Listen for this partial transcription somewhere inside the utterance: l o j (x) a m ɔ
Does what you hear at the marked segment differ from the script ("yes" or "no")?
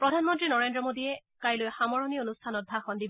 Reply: no